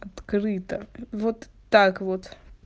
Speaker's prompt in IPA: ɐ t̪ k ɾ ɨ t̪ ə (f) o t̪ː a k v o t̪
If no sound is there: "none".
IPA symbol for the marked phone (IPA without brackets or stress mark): v